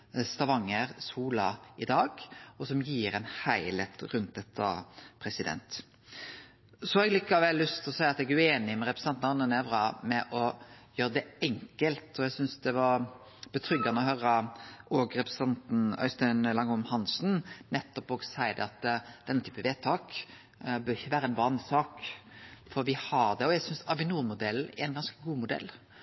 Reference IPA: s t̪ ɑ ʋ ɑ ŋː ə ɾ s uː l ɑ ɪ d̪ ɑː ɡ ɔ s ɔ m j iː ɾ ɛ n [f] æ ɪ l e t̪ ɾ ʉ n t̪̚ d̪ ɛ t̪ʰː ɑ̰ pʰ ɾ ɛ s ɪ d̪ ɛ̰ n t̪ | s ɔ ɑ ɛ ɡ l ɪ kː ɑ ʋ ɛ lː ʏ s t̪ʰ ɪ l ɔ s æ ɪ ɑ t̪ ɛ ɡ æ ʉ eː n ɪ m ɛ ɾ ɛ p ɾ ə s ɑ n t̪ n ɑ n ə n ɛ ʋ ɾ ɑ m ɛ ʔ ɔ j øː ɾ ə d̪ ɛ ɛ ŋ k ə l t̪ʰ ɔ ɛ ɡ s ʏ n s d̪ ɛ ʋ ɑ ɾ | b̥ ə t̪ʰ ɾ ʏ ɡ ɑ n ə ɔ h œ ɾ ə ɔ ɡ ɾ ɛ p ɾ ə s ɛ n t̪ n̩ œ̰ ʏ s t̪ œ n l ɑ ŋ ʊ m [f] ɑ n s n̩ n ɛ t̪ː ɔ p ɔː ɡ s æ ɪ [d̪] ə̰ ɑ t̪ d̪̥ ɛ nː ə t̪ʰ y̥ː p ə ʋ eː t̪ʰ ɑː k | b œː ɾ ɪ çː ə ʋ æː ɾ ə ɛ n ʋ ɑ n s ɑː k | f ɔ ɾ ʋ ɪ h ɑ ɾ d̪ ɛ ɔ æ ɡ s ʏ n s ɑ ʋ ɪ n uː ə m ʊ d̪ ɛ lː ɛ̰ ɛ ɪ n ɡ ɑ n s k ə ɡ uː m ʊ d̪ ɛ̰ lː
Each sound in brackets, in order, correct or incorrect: incorrect: h, incorrect: h, correct

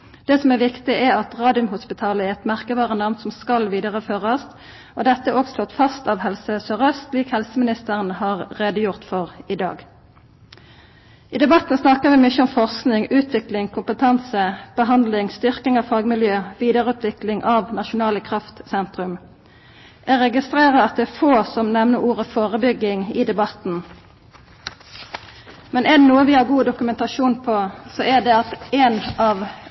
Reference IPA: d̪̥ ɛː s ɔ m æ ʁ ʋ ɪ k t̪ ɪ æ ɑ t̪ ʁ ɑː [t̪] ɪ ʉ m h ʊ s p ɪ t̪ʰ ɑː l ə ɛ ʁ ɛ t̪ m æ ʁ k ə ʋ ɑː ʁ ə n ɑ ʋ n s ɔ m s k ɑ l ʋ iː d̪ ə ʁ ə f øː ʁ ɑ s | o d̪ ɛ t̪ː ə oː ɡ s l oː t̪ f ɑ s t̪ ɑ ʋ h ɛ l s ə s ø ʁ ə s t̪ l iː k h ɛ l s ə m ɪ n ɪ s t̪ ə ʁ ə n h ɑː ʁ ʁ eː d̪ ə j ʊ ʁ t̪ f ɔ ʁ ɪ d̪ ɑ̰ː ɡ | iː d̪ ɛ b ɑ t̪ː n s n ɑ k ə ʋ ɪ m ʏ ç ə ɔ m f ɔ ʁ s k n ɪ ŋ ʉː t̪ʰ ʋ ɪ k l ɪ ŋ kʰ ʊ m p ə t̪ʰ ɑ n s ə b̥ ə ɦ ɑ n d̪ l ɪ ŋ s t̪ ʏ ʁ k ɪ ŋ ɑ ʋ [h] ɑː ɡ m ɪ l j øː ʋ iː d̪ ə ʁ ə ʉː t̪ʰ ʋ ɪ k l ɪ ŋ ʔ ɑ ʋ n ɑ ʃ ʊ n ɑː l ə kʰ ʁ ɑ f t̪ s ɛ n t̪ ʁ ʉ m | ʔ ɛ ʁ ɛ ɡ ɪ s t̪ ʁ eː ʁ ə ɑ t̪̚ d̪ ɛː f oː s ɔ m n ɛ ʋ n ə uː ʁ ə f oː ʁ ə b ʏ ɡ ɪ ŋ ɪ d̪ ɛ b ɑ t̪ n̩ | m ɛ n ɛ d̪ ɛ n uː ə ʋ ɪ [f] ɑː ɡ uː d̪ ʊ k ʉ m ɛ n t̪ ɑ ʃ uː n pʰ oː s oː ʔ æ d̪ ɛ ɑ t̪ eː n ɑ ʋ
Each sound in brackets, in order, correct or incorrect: incorrect: d̪, incorrect: f, incorrect: h

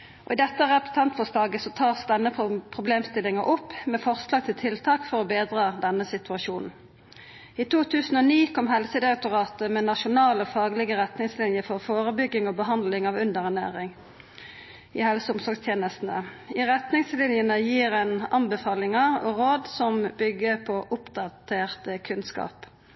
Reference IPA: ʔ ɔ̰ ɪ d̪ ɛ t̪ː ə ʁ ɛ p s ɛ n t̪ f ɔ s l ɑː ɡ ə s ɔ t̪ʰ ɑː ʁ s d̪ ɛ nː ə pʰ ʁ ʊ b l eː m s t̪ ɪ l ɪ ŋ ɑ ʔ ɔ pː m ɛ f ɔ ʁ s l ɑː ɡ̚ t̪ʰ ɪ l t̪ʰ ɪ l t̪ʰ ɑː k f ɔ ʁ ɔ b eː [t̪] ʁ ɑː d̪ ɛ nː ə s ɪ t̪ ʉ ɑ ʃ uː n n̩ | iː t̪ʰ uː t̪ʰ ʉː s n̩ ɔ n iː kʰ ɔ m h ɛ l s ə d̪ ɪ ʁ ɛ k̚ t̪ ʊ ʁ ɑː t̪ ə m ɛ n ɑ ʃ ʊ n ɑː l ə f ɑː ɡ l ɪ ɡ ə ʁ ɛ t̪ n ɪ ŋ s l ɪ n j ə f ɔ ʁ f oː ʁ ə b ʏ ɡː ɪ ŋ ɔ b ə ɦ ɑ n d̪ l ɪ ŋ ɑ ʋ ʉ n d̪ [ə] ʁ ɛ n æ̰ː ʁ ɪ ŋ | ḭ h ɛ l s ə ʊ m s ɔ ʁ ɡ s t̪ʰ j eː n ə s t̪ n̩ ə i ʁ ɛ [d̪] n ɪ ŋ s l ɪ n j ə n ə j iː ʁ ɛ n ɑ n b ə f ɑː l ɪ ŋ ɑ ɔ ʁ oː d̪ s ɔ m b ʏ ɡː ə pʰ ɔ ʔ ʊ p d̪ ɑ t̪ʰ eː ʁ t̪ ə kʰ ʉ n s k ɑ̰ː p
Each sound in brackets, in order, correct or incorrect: incorrect: d̪, correct, incorrect: t̪

